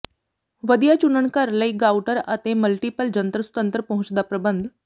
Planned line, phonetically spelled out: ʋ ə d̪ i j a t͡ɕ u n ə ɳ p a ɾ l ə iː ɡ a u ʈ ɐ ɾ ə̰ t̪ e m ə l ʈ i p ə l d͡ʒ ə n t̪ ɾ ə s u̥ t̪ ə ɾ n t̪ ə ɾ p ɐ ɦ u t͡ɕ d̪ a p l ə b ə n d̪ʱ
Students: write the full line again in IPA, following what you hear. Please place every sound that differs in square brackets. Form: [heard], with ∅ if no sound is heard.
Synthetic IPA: ʋ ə d̪ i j a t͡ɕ u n ə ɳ [k] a ɾ l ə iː ɡ a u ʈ [ə] ɾ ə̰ t̪ e m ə l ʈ i p ə l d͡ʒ ə n t̪ ɾ ə s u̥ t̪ ə [∅] n t̪ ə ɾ p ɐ ɦ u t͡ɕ d̪ a p [ɾ] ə b ə n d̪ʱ